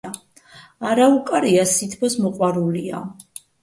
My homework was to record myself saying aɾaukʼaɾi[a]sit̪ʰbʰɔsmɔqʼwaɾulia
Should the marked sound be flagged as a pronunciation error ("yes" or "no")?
no